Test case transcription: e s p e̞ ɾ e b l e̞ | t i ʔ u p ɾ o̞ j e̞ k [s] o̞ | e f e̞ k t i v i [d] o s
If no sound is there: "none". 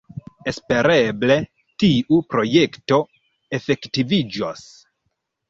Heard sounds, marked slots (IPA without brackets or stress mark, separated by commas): t, d͡ʒ